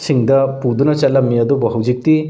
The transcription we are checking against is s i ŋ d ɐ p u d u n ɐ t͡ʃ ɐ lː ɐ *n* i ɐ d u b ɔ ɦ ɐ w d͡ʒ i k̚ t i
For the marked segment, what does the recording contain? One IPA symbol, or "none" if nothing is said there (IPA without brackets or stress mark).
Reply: m